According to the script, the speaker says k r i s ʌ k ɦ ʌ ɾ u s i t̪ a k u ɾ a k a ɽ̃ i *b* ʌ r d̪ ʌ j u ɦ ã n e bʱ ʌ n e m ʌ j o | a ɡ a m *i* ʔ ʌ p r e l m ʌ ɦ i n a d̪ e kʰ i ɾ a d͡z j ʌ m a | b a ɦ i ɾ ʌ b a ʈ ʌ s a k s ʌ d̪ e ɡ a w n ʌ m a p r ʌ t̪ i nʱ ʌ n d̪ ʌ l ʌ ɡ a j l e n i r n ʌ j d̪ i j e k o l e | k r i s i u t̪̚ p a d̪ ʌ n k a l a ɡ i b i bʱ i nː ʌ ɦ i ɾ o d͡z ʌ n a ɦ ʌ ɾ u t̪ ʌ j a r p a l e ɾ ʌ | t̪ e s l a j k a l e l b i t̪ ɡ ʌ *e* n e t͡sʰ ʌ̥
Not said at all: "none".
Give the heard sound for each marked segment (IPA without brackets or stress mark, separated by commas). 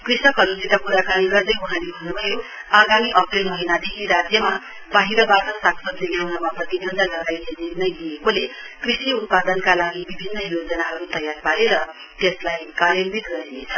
ɡ, i, e